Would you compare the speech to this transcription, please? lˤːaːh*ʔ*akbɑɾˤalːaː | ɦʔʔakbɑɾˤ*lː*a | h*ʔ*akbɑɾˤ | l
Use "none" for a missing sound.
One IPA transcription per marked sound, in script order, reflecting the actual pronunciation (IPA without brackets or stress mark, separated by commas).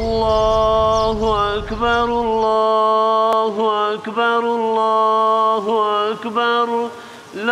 ʔ, lː, ʔ